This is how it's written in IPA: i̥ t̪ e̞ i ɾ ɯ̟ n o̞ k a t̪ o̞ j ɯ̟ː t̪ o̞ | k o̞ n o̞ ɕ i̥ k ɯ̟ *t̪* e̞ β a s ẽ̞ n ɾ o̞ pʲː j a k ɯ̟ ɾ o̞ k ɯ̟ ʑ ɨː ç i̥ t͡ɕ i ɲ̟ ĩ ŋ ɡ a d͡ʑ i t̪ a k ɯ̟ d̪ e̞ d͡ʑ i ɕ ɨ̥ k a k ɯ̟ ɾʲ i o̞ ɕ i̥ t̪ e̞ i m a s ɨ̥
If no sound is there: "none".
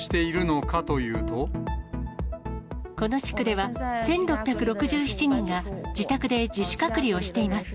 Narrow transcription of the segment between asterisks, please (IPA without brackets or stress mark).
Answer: d̪